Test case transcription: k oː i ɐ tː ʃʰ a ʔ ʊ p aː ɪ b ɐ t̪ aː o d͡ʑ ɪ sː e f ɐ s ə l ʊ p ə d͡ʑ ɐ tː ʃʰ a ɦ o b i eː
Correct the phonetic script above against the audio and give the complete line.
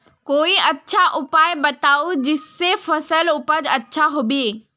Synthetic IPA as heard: k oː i ɐ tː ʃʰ a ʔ ʊ p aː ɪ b ɐ t̪ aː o d͡ʑ ɪ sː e f ɐ s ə l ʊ p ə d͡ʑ ɐ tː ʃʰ a ɦ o b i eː